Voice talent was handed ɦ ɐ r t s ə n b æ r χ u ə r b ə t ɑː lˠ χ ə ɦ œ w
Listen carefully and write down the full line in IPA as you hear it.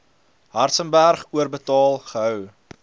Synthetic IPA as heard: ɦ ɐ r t s ə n b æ r χ u ə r b ə t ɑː lˠ χ ə ɦ œ w